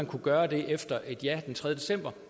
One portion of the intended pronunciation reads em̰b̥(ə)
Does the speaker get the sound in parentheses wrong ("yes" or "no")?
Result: yes